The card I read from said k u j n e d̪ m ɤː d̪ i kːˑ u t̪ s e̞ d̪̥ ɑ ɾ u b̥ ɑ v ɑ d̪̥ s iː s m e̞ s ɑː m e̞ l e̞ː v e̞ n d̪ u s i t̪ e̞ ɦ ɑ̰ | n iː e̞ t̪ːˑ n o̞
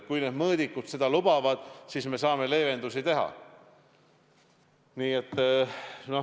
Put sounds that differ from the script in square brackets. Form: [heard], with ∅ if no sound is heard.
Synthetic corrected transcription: k u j n e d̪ m ɤː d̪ i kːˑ u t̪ s e̞ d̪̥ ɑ [l] u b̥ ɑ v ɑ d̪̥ s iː s m e̞ s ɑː m e̞ l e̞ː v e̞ n d̪ u s i t̪ e̞ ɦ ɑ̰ | n iː e̞ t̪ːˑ n o̞